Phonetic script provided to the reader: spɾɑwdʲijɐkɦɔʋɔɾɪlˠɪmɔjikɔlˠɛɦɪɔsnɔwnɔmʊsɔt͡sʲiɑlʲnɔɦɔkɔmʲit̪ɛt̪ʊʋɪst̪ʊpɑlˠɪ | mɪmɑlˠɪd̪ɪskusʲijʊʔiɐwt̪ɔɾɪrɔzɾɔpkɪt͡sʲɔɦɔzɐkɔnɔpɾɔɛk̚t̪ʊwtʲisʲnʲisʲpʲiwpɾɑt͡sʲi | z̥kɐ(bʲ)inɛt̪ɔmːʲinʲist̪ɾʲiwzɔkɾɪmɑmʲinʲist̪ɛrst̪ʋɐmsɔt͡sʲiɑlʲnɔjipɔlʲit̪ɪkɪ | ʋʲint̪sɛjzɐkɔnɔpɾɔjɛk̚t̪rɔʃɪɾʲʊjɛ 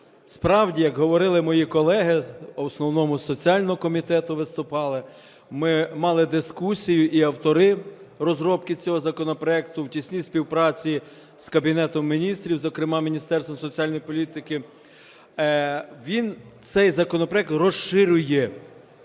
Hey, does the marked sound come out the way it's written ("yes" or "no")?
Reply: yes